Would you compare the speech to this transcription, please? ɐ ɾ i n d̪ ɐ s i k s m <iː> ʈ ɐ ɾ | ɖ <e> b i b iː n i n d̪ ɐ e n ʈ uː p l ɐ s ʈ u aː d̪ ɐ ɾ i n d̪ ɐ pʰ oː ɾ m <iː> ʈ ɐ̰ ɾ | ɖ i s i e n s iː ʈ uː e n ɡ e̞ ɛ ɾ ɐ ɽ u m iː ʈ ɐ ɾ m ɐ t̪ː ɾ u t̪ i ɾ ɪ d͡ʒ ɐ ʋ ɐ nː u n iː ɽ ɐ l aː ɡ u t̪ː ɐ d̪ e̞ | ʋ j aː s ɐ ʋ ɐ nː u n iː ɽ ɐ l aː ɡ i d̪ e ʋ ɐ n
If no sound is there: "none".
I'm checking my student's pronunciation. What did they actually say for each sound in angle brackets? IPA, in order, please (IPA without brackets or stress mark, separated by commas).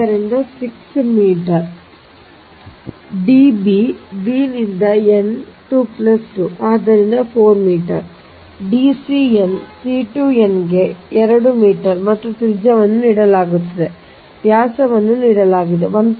iː, i, iː